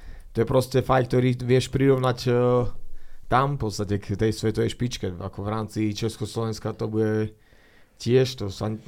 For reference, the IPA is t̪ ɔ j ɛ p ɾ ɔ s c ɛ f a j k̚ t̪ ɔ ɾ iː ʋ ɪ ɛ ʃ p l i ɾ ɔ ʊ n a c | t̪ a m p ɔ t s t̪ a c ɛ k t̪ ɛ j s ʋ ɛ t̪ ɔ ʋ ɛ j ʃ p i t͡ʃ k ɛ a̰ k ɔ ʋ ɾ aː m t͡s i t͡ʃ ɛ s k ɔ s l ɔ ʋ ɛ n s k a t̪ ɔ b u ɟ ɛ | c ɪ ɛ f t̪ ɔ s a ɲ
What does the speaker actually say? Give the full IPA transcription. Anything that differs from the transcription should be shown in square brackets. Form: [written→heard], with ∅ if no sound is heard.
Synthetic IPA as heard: t̪ ɔ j ɛ p ɾ ɔ s c ɛ f a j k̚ t̪ ɔ ɾ iː ʋ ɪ ɛ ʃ p [l→ɾ] i ɾ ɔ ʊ n a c | t̪ a m p ɔ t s t̪ a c ɛ k t̪ ɛ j s ʋ ɛ t̪ ɔ ʋ ɛ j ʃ p i t͡ʃ k ɛ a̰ k ɔ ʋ ɾ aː m t͡s i t͡ʃ ɛ s k ɔ s l ɔ ʋ ɛ n s k a t̪ ɔ b u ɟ ɛ | c ɪ ɛ [f→ʃ] t̪ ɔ s a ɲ